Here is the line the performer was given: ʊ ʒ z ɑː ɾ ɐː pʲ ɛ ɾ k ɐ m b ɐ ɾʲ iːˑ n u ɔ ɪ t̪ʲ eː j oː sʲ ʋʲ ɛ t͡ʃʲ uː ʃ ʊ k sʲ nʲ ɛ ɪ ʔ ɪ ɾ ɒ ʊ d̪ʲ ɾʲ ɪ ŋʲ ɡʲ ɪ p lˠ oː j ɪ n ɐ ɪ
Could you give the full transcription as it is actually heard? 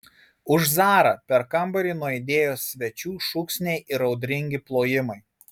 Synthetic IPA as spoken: ʊ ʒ z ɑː ɾ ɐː pʲ ɛ ɾ k ɐ m b ɐ ɾʲ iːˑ n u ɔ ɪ d̪ʲ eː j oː sʲ ʋʲ ɛ t͡ʃʲ uː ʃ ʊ k sʲ nʲ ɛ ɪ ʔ ɪ ɾ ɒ ʊ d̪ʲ ɾʲ ɪ ŋʲ ɡʲ ɪ p lˠ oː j ɪ m ɐ ɪ